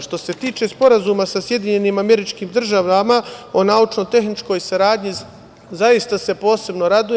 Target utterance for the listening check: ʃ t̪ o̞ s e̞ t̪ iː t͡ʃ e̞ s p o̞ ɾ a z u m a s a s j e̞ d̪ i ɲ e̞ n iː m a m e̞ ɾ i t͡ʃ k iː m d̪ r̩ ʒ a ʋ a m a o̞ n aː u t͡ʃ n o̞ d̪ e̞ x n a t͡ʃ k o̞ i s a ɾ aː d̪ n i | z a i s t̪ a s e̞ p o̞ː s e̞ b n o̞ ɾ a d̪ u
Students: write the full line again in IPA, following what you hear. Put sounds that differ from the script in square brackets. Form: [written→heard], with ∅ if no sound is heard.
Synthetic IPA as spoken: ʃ t̪ o̞ s e̞ t̪ iː t͡ʃ e̞ s p o̞ ɾ a z u m a s a s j e̞ d̪ i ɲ e̞ n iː m a m e̞ ɾ i t͡ʃ k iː m d̪ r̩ ʒ a ʋ a m a o̞ n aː u t͡ʃ n o̞ [d̪→t̪] e̞ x n [a→i] t͡ʃ k o̞ [i→j] s a ɾ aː d̪ [n→ɲ] i | z a i s t̪ a s e̞ p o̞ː s e̞ b n o̞ ɾ a d̪ u

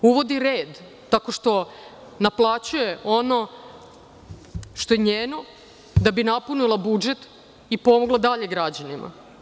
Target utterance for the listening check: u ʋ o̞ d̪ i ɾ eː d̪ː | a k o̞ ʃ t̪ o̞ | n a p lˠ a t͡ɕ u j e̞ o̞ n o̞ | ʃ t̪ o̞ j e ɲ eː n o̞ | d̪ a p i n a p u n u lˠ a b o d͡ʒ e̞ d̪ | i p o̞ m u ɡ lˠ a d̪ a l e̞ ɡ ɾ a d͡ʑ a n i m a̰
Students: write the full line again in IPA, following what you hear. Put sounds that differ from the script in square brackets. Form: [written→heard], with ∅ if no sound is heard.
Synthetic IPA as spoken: u ʋ o̞ d̪ i ɾ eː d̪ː | a k o̞ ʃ t̪ o̞ | n a p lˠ a t͡ɕ u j e̞ o̞ n o̞ | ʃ t̪ o̞ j e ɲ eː n o̞ | d̪ a [p→b] i n a p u n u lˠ a b [o→u] d͡ʒ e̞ [d̪→t̪] | i p o̞ m [u→o] ɡ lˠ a d̪ a [l→ʎ] e̞ ɡ ɾ a d͡ʑ a n i m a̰

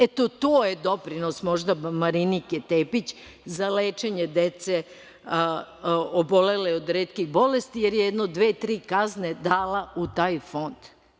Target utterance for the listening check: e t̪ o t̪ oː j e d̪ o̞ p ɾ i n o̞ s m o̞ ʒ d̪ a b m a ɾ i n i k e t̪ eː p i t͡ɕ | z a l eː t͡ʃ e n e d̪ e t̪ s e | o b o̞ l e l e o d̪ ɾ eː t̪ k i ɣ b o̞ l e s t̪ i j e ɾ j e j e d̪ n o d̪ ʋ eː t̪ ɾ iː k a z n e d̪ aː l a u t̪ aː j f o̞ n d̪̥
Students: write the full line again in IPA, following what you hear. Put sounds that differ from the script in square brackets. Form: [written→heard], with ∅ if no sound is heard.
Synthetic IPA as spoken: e t̪ o t̪ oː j e d̪ o̞ p ɾ i n o̞ s m o̞ ʒ d̪ a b m a ɾ i n i k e t̪ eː p i t͡ɕ | z a l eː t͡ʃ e [n→ɲ] e d̪ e t̪ s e | o b o̞ l e l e o d̪ ɾ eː t̪ k i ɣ b o̞ l e s t̪ i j e ɾ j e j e d̪ n o d̪ ʋ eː t̪ ɾ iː k a z n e d̪ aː l a u t̪ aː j f o̞ n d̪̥

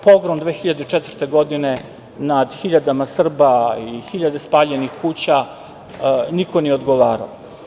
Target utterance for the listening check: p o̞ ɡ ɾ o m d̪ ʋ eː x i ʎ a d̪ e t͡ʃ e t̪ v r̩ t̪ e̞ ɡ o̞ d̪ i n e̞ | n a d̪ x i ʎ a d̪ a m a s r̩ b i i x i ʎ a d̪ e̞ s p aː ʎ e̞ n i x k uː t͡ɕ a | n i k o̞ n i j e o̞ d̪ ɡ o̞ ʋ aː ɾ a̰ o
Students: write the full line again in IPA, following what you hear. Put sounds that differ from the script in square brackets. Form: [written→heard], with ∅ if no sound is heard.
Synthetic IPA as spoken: p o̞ ɡ ɾ o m d̪ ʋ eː x i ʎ a d̪ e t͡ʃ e t̪ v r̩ t̪ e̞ ɡ o̞ d̪ i n e̞ | n a d̪ x i ʎ a d̪ a m a s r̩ b [i→a] i x i ʎ a d̪ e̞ s p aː ʎ e̞ n i x k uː t͡ɕ a | n i k o̞ n i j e o̞ d̪ ɡ o̞ ʋ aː ɾ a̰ o

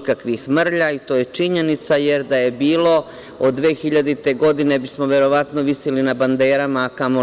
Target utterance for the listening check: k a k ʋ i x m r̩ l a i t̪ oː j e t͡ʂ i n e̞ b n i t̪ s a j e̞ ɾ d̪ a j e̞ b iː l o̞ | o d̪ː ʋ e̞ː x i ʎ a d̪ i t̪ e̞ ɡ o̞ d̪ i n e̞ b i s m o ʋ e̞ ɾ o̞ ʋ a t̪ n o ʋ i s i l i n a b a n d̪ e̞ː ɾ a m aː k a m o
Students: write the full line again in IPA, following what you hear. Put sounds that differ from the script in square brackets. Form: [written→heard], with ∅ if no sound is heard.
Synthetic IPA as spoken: k a k ʋ i x m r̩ [l→ʎ] a i t̪ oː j e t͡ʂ i [n→ɲ] e̞ [b→∅] n i t̪ s a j e̞ ɾ d̪ a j e̞ b iː l o̞ | o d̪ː ʋ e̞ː x i ʎ a d̪ i t̪ e̞ ɡ o̞ d̪ i n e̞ b i s m o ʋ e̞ ɾ o̞ ʋ a t̪ n o ʋ i s i l i n a b a n d̪ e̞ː ɾ a m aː k a m o

